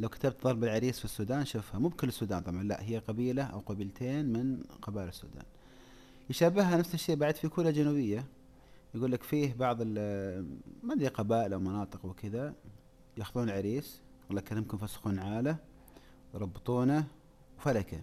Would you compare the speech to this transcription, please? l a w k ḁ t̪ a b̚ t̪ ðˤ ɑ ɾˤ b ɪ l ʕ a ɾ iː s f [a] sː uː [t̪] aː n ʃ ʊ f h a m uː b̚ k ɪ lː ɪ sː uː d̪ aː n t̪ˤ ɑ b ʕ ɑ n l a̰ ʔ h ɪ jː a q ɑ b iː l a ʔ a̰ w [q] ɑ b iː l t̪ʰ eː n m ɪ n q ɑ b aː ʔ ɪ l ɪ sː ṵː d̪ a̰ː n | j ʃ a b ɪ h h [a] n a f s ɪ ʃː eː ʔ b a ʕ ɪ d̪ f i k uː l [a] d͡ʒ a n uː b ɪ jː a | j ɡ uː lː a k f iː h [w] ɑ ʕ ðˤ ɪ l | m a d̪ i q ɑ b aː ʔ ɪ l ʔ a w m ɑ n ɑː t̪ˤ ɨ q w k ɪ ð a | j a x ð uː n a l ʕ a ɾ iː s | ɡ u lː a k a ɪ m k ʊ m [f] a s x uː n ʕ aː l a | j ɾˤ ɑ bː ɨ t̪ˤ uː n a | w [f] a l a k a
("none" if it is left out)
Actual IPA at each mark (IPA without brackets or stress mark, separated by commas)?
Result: i, d̪, q, a, a, b, f, f